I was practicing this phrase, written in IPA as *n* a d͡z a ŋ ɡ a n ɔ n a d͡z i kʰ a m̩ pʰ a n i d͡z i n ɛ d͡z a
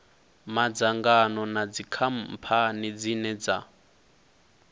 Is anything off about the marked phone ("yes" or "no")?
yes